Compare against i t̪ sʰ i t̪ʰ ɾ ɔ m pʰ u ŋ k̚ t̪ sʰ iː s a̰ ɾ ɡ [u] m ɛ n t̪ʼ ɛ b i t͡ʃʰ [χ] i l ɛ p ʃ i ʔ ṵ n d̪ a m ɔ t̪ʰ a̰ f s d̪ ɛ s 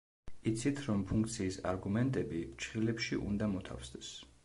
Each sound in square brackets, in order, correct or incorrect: correct, correct

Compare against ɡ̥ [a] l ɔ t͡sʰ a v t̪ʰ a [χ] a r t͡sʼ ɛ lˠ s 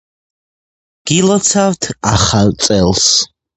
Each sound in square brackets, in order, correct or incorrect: incorrect: i, correct

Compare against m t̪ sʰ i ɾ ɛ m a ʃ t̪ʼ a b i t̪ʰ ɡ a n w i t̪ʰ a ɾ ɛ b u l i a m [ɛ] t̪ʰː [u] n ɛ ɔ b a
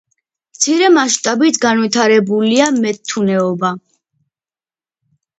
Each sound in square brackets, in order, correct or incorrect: correct, correct

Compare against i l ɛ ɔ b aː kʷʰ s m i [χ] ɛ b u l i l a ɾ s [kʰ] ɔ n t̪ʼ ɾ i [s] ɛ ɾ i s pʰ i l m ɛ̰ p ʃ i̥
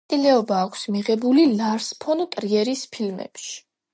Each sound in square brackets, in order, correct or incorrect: incorrect: ʁ, incorrect: pʰ, incorrect: none

